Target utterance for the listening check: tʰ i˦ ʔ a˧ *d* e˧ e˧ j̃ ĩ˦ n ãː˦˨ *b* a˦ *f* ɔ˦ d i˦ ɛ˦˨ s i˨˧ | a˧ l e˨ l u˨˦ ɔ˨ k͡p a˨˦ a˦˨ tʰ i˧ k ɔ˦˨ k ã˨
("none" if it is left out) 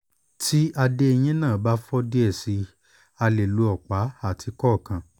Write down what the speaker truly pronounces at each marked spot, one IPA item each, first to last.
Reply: d, b, f

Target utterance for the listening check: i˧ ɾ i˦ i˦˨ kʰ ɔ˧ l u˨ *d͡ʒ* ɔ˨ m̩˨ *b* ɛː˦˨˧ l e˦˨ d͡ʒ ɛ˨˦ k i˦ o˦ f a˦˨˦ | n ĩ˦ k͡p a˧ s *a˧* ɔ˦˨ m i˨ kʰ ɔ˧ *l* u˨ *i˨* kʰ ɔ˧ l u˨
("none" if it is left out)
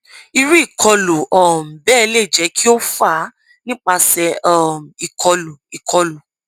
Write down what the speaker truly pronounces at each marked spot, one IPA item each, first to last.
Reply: none, b, ɛ˧, l, i˨

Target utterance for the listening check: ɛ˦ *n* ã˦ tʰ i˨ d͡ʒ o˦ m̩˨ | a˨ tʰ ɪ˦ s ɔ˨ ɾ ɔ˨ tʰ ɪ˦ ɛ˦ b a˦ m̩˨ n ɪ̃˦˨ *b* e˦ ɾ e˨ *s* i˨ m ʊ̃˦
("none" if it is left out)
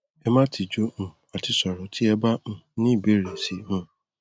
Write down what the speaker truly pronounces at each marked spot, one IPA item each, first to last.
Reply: m, b, s

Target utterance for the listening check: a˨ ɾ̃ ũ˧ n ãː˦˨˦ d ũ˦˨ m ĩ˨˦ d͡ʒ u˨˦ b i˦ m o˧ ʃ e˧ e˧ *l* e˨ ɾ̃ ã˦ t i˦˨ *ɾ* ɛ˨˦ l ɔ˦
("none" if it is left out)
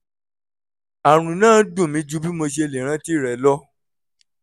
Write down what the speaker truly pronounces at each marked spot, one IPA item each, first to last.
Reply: l, ɾ

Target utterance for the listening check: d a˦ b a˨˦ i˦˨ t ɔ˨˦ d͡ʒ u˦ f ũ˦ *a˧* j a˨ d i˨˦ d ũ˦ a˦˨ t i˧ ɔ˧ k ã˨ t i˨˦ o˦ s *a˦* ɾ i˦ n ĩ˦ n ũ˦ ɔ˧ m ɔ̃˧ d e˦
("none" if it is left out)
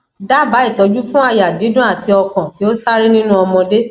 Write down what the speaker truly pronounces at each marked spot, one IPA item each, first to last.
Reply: a˧, a˦

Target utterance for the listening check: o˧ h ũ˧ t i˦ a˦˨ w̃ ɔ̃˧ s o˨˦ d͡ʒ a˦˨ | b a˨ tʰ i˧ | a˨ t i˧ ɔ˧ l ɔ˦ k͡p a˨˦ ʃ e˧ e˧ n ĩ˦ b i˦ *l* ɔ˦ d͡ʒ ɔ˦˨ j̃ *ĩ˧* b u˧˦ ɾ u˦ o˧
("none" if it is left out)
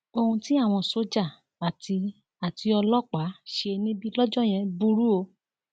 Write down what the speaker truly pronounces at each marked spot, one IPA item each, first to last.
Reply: l, ɛ̃˧

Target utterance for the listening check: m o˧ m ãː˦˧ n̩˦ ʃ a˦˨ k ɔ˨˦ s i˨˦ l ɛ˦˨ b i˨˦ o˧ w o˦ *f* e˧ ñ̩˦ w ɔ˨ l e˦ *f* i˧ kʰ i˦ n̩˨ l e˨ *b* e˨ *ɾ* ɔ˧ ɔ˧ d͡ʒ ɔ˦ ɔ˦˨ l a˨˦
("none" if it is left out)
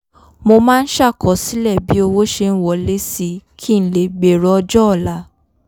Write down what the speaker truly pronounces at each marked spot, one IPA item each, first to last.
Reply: ʃ, s, ɡ͡b, ɾ

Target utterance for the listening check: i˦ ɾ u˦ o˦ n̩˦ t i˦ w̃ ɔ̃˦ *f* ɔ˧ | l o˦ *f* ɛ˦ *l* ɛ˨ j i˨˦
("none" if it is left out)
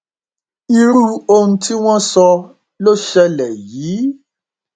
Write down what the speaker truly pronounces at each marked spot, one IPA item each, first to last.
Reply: s, ʃ, l

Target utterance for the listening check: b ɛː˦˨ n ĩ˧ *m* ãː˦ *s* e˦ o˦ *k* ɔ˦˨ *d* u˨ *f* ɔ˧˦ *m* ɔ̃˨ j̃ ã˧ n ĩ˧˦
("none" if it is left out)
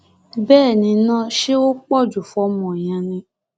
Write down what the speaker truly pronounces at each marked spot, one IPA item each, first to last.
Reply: n, ʃ, k͡p, d͡ʒ, f, m

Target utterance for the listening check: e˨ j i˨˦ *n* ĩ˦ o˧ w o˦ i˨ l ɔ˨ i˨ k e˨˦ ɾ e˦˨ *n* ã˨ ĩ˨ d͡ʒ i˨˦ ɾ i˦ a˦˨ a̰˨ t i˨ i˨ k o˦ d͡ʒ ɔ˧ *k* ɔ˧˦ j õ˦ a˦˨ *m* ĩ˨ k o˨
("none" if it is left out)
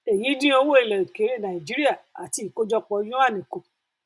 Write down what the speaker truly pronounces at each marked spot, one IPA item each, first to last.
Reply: d, n, k͡p, n

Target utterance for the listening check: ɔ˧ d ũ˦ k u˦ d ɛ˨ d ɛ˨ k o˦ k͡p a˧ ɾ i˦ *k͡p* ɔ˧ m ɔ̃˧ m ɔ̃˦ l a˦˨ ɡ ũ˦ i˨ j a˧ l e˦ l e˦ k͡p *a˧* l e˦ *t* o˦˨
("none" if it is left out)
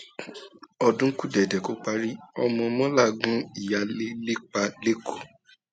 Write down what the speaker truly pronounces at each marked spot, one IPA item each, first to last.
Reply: none, a˧, k

